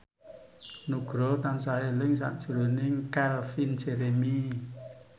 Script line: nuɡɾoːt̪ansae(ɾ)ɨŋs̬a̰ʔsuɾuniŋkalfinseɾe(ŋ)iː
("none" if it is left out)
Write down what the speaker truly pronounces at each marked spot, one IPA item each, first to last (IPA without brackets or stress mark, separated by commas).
l, m